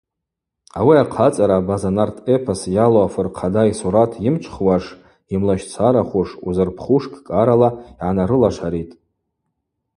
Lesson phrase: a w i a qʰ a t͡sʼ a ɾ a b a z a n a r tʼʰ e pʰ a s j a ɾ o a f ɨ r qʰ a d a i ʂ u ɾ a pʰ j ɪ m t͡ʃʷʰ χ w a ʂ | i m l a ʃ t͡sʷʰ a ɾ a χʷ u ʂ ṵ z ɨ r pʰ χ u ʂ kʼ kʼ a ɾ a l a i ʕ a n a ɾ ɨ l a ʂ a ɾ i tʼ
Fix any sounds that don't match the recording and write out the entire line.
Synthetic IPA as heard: a w i a qʰ a t͡sʼ a ɾ a b a z a n a r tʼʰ e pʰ a s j a l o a f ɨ r qʰ a d a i s u ɾ a tʰ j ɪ m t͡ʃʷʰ χ w a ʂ | i m l a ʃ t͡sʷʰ a ɾ a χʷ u ʂ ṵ z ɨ r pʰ χ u ʂ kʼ kʼ a ɾ a l a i ʕ a n a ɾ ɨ l a ʂ a ɾ i tʼ